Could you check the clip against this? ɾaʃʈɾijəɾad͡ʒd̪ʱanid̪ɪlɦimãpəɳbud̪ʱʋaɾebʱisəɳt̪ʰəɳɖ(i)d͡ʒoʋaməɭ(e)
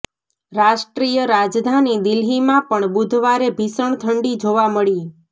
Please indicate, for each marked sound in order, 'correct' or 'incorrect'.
correct, incorrect

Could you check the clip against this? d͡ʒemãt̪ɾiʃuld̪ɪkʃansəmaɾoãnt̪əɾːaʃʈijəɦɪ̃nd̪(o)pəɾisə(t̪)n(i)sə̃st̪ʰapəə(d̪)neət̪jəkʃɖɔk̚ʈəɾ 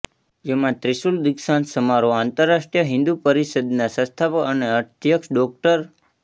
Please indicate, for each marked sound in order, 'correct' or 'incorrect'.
incorrect, incorrect, incorrect, incorrect

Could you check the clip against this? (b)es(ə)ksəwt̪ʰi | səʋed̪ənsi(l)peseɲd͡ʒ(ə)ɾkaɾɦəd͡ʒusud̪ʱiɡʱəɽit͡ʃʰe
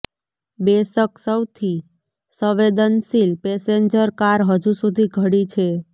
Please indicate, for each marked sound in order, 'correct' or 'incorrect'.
correct, correct, correct, correct

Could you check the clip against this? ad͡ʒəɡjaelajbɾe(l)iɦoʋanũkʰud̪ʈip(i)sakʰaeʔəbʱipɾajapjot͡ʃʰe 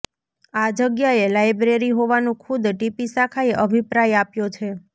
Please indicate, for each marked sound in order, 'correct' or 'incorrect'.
incorrect, correct

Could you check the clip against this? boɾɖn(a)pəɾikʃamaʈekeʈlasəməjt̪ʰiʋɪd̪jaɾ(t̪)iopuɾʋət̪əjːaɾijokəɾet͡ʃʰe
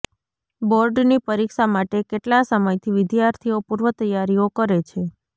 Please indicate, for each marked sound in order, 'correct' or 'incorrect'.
incorrect, incorrect

